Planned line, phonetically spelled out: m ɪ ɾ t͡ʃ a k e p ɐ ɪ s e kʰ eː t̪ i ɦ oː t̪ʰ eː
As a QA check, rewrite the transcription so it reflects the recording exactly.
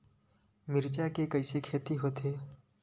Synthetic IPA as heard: m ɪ ɾ t͡ʃ a k e k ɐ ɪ s e kʰ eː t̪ i ɦ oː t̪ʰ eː